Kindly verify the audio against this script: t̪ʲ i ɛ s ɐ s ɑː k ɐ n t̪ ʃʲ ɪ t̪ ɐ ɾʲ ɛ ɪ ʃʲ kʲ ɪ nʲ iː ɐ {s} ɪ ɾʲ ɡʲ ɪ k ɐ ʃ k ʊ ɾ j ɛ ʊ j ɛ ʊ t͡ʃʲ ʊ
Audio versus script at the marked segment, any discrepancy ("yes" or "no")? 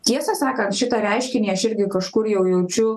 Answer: yes